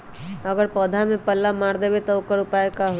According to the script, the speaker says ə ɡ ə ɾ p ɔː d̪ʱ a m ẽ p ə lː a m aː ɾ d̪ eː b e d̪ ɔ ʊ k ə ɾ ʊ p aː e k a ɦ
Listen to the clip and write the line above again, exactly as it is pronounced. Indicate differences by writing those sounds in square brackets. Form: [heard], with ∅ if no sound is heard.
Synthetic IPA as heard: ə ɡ ə ɾ p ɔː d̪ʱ a m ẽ p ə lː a m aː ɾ d̪ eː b e [t̪] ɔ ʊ k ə ɾ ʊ p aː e k a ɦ